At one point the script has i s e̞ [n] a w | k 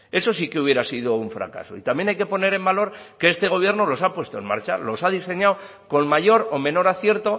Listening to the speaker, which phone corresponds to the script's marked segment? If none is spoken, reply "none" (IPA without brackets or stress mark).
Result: ɲ